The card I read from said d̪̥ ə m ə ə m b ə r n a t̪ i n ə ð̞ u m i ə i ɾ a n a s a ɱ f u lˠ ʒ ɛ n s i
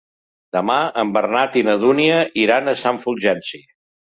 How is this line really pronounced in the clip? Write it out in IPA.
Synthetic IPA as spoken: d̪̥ ə m a ə m b ə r n a t̪ i n ə ð̞ u n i ə i ɾ a n ə s a ɱ f u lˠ ʒ ɛ n s i

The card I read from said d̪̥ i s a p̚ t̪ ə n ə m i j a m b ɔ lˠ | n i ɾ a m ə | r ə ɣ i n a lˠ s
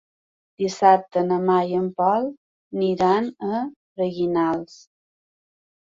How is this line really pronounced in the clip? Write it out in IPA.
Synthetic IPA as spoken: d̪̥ i s a p̚ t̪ ə n ə m a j ə m p ɔ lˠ | n i ɾ a n ə | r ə ɣ i n a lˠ s

